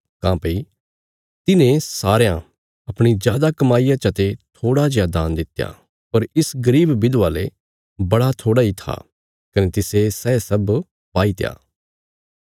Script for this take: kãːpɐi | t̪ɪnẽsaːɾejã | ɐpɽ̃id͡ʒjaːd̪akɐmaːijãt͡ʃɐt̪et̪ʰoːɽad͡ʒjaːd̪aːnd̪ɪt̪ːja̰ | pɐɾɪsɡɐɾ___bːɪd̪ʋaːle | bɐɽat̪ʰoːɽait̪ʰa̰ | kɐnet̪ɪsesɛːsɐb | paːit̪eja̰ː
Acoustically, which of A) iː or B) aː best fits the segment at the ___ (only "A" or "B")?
A